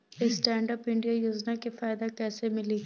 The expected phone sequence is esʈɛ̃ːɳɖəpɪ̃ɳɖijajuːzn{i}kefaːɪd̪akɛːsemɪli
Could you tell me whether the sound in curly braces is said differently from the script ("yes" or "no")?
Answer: yes